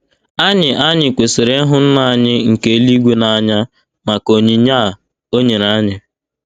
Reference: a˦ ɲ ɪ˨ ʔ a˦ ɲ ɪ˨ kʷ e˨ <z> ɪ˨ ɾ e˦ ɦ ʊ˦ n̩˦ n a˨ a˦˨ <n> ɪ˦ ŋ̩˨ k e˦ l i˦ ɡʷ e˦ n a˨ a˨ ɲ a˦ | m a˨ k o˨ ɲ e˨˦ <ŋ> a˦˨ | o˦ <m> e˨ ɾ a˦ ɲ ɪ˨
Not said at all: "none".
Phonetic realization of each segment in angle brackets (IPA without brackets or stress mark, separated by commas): s, ɲ, ɲ, ɲ